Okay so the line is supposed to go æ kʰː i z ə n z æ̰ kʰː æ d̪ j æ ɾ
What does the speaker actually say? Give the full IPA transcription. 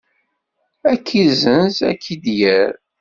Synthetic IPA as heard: æ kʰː i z ə n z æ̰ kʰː i d̪ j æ ɾ